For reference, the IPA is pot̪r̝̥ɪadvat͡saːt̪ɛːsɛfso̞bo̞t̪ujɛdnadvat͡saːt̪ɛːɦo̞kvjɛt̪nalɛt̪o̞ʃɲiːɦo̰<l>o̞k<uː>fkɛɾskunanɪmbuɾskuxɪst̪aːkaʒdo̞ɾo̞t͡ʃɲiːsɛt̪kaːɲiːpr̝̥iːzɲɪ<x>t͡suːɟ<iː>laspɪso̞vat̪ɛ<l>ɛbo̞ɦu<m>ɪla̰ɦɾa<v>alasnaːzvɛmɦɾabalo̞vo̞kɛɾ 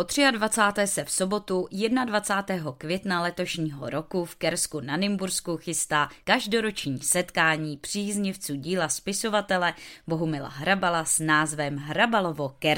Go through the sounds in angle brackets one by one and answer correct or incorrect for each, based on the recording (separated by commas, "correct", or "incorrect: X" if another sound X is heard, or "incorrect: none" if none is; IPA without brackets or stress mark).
incorrect: ɾ, incorrect: u, incorrect: f, correct, correct, correct, incorrect: b